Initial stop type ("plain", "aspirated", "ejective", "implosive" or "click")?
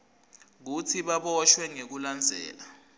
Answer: plain